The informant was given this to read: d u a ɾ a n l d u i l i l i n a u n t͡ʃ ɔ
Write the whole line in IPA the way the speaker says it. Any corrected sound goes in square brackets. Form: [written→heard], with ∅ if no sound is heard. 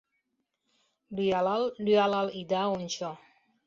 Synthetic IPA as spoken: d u a [ɾ→l] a [n→∅] l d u [i→a] l [i→a] l i [n→d] a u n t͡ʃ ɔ